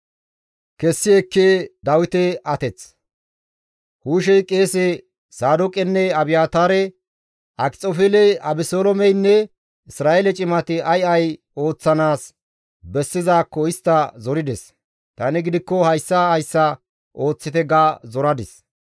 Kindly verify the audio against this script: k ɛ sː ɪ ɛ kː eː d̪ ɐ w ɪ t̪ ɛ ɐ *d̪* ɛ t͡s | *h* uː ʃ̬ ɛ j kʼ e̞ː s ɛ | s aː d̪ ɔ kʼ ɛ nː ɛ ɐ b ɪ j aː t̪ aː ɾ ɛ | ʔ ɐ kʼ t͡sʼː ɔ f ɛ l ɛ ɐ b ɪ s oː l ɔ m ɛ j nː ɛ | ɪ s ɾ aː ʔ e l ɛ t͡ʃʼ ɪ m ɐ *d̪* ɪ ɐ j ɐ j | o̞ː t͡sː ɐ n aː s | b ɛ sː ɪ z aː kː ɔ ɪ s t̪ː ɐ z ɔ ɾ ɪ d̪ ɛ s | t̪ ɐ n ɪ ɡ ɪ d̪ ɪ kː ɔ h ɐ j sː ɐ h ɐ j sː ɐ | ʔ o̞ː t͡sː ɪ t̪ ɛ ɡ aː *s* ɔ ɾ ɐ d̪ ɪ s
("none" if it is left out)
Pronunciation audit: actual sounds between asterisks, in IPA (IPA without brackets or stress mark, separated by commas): t̪, h, t̪, z